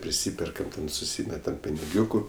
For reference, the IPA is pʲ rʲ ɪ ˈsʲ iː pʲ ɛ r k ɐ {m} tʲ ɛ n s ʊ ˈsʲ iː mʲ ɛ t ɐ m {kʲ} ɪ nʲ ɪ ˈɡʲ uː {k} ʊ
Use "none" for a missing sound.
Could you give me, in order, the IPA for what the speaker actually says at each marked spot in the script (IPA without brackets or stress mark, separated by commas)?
m, pʲ, k